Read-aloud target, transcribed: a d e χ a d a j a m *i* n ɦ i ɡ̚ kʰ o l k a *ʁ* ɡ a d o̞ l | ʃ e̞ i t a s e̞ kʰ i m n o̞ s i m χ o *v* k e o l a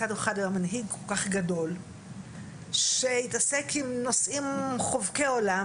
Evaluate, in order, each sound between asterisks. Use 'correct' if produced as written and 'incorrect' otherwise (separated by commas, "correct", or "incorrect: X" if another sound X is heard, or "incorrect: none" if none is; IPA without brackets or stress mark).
incorrect: a, incorrect: χ, correct